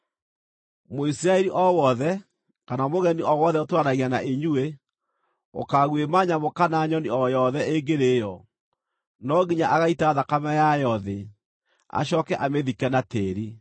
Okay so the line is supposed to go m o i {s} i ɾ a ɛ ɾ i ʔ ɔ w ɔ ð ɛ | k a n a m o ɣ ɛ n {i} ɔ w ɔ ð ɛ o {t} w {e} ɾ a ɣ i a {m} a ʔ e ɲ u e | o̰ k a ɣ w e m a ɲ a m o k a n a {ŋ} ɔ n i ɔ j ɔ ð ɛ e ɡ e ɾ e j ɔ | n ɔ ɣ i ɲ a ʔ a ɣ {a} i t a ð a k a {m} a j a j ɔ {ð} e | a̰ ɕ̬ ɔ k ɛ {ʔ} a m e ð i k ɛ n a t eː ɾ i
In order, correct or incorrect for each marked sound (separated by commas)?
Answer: correct, correct, correct, incorrect, incorrect, incorrect, correct, correct, correct, correct